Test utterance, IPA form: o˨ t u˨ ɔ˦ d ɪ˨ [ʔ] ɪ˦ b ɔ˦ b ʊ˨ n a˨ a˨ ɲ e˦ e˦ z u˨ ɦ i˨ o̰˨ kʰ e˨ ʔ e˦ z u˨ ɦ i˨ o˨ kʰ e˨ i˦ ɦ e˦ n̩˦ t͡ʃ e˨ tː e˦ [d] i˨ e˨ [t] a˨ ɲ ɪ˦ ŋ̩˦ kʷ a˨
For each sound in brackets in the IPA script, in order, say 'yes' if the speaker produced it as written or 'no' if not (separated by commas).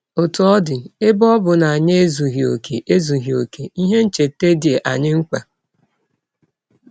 no, yes, no